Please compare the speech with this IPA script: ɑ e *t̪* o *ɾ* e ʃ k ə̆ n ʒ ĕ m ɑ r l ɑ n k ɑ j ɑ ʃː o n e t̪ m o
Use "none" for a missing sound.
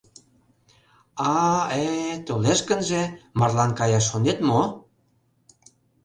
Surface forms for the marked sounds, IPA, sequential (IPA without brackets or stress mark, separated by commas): t̪, l